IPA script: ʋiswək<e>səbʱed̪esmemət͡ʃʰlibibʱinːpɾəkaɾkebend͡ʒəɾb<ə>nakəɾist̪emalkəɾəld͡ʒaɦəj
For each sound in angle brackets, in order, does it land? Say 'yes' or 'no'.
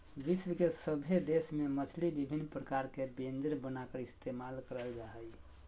yes, yes

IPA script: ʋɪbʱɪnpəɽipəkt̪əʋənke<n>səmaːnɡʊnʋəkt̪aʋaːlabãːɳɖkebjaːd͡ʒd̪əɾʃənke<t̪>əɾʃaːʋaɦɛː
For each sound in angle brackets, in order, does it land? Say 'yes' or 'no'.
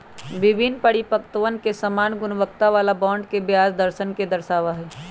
no, no

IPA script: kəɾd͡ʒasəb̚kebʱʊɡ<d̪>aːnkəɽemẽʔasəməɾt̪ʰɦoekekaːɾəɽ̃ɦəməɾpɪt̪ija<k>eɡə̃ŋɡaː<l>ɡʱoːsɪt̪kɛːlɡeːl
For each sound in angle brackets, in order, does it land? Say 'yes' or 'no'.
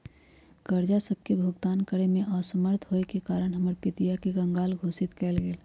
no, yes, yes

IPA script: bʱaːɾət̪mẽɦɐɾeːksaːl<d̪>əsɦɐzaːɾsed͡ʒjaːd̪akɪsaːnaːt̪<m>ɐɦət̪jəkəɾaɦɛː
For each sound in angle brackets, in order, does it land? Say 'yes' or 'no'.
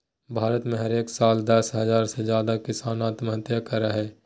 yes, yes

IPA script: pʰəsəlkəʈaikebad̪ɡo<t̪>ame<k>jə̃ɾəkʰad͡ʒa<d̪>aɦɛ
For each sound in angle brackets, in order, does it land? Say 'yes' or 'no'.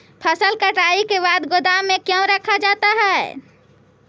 no, yes, no

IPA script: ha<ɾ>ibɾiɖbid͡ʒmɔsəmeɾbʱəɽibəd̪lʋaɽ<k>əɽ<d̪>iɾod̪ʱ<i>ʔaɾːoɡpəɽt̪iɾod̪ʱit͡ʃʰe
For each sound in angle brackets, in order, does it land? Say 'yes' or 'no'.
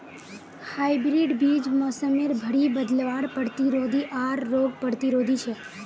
no, no, no, yes

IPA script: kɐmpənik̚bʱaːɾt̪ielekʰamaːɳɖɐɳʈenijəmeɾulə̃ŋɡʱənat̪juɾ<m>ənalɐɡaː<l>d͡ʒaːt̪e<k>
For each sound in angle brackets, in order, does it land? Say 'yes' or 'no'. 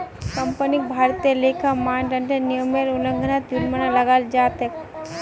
yes, yes, yes

